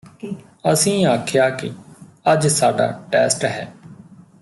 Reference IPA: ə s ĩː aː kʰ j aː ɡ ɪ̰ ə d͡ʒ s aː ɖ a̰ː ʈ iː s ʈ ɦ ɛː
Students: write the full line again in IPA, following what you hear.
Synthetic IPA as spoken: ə s ĩː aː kʰ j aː k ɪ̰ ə d͡ʒ s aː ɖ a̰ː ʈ ɛː s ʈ ɦ ɛː